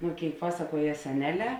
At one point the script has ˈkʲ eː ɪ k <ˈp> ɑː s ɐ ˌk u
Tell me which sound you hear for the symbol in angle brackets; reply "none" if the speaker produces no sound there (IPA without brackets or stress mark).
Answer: p